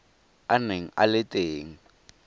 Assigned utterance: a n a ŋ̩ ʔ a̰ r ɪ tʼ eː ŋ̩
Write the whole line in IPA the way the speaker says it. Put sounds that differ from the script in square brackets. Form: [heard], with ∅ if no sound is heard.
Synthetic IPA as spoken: a n [e] ŋ̩ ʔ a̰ [l] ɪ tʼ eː ŋ̩